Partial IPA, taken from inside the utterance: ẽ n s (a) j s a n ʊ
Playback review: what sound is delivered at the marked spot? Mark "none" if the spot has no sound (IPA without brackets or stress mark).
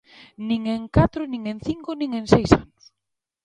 e